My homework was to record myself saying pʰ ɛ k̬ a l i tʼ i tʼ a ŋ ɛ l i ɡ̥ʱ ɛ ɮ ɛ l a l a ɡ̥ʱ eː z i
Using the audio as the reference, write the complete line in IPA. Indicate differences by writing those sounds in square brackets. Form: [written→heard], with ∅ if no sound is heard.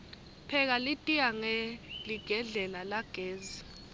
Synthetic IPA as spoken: pʰ ɛ k̬ a l i tʼ i [tʼ→∅] a ŋ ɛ l i ɡ̥ʱ ɛ ɮ ɛ l a l a ɡ̥ʱ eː z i